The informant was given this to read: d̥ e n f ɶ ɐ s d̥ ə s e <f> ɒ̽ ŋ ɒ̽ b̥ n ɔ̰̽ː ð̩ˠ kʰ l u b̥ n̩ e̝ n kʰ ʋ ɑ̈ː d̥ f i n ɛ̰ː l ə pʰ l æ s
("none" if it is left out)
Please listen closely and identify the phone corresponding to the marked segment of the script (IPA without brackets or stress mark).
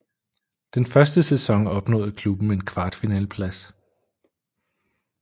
s